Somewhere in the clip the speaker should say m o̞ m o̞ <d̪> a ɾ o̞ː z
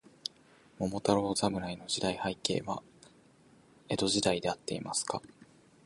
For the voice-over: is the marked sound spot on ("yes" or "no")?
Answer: no